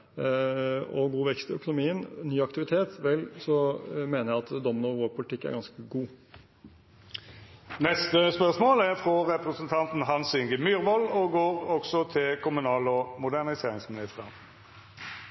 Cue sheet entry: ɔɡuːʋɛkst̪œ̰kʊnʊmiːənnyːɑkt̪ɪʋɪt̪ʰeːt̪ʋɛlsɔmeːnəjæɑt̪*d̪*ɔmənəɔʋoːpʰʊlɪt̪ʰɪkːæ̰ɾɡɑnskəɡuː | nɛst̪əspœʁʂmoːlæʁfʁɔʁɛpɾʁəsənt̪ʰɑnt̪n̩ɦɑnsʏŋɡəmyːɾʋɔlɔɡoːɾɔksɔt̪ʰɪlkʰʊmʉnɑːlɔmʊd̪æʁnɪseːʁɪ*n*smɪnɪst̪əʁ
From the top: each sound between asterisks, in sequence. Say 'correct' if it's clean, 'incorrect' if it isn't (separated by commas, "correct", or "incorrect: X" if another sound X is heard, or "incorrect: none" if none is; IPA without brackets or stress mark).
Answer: correct, incorrect: ŋ